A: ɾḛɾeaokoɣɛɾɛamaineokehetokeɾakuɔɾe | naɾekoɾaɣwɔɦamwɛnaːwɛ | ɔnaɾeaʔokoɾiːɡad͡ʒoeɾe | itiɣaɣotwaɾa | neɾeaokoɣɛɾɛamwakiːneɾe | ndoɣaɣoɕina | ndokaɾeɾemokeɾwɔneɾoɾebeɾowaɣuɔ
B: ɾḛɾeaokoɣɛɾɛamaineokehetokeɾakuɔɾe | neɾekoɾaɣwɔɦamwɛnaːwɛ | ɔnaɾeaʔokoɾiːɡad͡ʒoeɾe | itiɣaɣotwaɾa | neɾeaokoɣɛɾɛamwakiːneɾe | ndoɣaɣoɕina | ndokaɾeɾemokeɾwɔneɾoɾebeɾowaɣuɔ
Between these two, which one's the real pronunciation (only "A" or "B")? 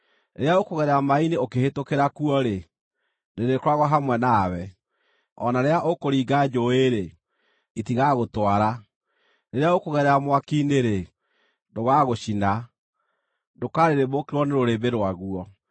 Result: B